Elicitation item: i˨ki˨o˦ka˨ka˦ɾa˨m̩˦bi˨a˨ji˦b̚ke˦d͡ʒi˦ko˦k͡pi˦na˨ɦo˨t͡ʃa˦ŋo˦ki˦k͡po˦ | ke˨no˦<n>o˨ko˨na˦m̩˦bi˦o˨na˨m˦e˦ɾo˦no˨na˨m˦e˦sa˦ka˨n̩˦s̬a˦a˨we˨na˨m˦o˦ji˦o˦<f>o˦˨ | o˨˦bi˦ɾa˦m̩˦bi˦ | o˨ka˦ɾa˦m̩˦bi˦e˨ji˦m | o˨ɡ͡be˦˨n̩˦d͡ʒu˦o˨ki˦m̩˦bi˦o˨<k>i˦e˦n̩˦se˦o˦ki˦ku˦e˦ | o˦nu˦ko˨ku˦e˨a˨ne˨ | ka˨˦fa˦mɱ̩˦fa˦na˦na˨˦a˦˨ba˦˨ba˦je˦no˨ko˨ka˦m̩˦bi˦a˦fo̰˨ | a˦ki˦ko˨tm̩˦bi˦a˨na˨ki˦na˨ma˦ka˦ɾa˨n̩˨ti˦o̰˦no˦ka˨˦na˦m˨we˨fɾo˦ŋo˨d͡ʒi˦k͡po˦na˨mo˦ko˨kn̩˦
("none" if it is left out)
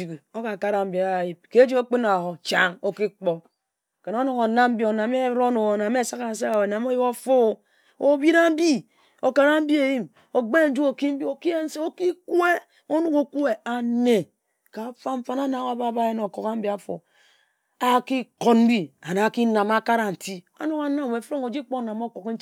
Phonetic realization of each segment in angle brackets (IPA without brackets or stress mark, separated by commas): n, f, k